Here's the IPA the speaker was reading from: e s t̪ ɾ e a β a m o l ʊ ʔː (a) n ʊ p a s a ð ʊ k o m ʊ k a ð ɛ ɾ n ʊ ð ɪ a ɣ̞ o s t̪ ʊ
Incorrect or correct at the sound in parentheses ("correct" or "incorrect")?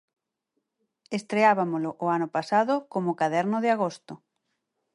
correct